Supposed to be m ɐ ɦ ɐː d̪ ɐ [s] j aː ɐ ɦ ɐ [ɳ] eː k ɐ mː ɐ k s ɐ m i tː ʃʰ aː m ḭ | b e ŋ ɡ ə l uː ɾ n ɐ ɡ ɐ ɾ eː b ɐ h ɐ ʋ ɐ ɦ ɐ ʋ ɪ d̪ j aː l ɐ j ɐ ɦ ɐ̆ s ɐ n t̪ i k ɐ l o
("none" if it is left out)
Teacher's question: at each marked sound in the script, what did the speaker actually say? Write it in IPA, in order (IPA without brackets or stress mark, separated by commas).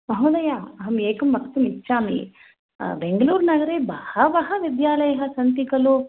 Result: none, m